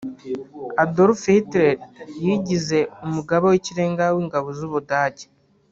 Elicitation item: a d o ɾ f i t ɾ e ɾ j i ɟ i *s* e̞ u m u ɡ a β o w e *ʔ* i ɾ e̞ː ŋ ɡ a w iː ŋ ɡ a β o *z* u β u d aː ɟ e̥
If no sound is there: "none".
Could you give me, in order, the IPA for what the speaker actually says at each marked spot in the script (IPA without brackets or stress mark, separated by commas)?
z, c, z